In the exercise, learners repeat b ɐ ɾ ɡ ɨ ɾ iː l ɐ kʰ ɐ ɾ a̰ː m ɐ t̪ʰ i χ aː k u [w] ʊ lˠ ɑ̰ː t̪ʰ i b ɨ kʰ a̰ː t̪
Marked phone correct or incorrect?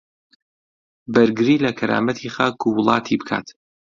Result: correct